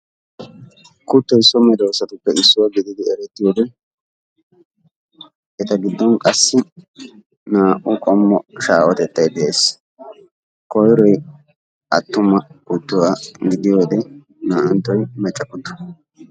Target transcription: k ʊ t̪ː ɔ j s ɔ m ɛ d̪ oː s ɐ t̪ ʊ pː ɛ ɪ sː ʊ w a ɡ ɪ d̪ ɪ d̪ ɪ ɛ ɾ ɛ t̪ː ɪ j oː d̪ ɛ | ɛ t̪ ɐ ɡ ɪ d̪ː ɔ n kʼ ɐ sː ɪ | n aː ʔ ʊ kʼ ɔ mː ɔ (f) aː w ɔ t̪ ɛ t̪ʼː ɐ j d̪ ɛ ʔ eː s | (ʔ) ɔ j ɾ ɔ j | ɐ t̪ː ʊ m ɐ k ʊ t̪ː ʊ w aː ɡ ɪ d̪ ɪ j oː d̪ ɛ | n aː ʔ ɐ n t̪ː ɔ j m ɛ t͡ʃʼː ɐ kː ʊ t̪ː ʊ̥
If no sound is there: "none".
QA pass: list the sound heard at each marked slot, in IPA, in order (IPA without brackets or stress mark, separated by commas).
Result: ʃ, k